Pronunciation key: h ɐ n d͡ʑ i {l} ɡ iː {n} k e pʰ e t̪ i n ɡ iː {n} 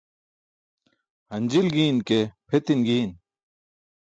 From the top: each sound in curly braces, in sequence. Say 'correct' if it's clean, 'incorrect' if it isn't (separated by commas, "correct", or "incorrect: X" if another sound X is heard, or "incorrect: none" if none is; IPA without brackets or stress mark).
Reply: correct, correct, correct